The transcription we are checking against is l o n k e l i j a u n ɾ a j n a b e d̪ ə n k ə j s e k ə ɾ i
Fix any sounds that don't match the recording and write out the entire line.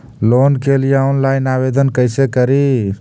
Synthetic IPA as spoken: l o n k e l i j a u n l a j n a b e d̪ ə n k ə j s e k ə ɾ i